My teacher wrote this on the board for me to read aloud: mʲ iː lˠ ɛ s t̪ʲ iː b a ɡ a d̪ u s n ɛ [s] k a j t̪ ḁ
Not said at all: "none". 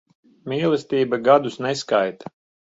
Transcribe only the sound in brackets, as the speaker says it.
s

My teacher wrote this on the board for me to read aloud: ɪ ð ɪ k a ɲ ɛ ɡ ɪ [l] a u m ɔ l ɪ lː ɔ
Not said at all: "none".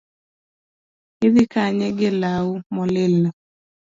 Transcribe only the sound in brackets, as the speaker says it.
l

